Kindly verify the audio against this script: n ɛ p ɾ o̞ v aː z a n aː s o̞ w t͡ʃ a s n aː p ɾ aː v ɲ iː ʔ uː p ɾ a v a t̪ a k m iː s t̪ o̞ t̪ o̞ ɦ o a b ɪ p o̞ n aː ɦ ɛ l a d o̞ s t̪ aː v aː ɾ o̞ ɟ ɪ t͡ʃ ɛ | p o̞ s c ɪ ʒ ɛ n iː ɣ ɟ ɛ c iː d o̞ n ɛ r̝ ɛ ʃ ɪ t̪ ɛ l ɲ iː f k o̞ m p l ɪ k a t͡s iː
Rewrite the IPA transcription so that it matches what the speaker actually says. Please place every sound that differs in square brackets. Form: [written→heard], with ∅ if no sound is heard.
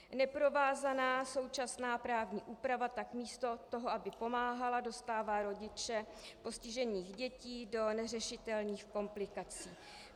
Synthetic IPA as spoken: n ɛ p ɾ o̞ v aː z a n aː s o̞ w t͡ʃ a s n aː p ɾ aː v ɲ iː ʔ uː p ɾ a v a t̪ a k m iː s t̪ o̞ t̪ o̞ ɦ o a b ɪ p o̞ [n→m] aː ɦ [ɛ→a] l a d o̞ s t̪ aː v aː ɾ o̞ ɟ ɪ t͡ʃ ɛ | p o̞ s c ɪ ʒ ɛ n iː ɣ ɟ ɛ c iː d o̞ n ɛ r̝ ɛ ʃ ɪ t̪ ɛ l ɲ iː [f→x] k o̞ m p l ɪ k a t͡s iː